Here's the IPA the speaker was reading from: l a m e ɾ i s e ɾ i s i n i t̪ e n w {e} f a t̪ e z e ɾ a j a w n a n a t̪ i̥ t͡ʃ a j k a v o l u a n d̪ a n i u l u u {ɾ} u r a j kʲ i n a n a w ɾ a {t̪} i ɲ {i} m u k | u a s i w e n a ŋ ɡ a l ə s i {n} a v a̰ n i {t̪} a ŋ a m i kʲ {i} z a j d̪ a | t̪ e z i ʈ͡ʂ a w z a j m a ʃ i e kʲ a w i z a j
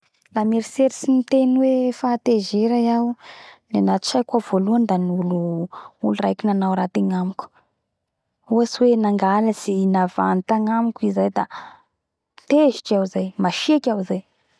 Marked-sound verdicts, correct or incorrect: correct, incorrect: l, correct, incorrect: a, correct, correct, correct

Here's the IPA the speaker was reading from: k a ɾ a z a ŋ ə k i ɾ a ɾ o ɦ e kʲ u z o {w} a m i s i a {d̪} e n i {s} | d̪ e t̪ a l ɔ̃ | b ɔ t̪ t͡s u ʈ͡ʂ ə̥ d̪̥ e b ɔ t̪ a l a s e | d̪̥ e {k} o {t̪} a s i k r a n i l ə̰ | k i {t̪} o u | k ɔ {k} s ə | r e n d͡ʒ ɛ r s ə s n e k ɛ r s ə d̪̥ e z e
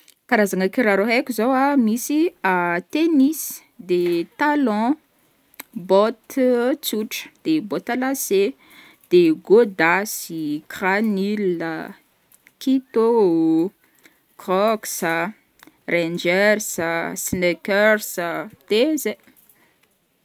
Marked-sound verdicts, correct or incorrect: correct, incorrect: t̪, correct, incorrect: ɡ, incorrect: d̪, correct, correct

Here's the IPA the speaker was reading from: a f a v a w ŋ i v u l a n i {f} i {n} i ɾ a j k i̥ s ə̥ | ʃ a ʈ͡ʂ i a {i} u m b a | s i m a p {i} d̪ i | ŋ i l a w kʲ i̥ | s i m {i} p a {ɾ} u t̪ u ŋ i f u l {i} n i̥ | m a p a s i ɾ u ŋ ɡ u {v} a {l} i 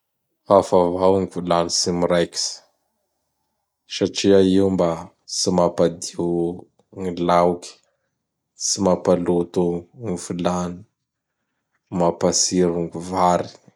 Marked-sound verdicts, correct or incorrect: incorrect: s, incorrect: m, correct, incorrect: a, incorrect: a, incorrect: l, incorrect: a, correct, incorrect: ɾ

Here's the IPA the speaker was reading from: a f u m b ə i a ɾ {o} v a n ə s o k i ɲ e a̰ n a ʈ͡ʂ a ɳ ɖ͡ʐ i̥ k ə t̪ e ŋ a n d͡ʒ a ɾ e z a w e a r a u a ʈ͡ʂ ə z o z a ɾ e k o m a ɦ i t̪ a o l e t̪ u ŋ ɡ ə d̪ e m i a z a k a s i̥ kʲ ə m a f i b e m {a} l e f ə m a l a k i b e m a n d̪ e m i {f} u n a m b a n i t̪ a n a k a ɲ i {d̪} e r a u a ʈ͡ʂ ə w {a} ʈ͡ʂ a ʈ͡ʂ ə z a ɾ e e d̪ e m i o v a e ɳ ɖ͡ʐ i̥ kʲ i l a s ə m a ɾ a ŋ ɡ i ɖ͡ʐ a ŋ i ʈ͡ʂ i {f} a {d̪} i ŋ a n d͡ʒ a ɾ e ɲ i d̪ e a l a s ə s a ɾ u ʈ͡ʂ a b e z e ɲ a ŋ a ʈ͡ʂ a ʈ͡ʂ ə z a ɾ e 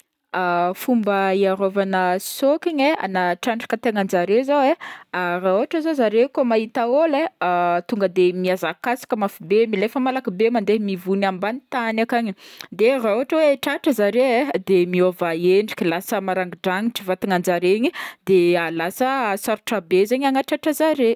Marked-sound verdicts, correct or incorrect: correct, incorrect: i, incorrect: v, correct, incorrect: e, incorrect: v, incorrect: t̪

